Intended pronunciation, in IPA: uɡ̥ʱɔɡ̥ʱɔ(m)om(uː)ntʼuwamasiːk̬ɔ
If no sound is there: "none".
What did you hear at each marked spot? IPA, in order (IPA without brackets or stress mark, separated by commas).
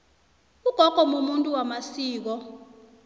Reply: m, u